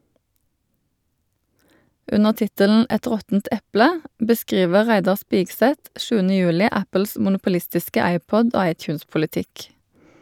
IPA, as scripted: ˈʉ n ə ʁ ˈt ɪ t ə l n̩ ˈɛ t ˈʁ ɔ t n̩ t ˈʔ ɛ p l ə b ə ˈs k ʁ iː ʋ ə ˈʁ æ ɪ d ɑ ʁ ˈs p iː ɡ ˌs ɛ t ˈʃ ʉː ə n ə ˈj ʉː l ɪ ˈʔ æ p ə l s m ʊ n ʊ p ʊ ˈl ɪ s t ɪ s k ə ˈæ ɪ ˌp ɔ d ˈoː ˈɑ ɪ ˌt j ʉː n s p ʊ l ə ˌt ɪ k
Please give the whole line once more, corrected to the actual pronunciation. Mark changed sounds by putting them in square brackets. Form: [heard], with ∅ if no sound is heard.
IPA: ˈʉ n ə ʁ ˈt ɪ t ə l n̩ ˈɛ t ˈʁ ɔ t n̩ t ˈʔ ɛ p l ə b ə ˈs k ʁ iː ʋ ə ˈʁ æ ɪ d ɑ ʁ ˈs p iː ɡ ˌs ɛ t ˈʃ ʉː ə n ə ˈj ʉː l ɪ ˈʔ æ p ə l s m ʊ n ʊ p ʊ ˈl ɪ s t ɪ s k ə ˈæ ɪ ˌp ɔ d ˈoː ˈɑ ɪ ˌt j ʉː n s p ʊ l ə ˌt ɪ k